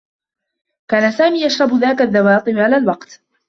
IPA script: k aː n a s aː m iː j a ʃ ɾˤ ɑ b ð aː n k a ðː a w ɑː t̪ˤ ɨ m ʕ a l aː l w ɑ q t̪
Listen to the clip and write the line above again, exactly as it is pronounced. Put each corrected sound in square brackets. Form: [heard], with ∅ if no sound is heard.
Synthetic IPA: k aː n a s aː m iː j a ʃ ɾˤ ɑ b ð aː [∅] k a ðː a w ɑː t̪ˤ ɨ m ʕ a l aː l w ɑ q t̪